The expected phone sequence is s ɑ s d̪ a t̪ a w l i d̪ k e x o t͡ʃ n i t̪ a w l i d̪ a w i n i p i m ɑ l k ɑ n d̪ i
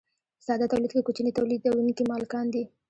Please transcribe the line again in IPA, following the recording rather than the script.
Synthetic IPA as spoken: s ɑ d̪ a t̪ a w l i d̪ k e k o t͡ʃ n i t̪ a w l i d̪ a w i n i k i m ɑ l k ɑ n d̪ i